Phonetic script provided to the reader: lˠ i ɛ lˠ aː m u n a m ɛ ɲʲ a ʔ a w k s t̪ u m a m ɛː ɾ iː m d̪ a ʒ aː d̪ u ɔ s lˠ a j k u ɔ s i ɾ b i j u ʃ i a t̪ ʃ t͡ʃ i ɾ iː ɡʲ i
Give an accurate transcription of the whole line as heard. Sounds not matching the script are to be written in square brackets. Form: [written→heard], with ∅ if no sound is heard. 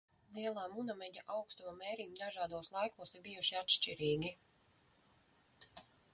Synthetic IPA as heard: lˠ i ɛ lˠ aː m u n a m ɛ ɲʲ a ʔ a w k s t̪ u m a m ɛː ɾ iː m d̪ a ʒ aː d̪ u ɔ s lˠ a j k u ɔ s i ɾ b i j u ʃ i a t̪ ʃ t͡ʃ i ɾ iː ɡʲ i